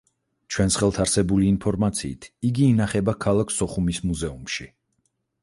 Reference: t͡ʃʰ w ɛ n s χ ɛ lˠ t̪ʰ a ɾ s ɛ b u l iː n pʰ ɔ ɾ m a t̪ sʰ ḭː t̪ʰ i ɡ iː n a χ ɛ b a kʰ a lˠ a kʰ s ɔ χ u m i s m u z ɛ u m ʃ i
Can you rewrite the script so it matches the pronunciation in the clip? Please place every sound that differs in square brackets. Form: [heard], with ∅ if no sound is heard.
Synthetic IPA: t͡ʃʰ w ɛ n s χ ɛ lˠ t̪ʰ a ɾ s ɛ b u l iː n pʰ ɔ ɾ m a t̪ sʰ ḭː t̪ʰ i ɡ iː n a χ ɛ b a kʰ a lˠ a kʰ s ɔ χ u m i s m u z ɛ u m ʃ i